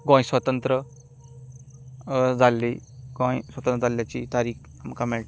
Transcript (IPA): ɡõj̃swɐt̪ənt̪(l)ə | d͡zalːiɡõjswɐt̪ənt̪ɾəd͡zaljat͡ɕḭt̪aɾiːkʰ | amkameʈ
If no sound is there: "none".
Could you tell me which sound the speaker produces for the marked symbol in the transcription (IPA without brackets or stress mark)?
ɾ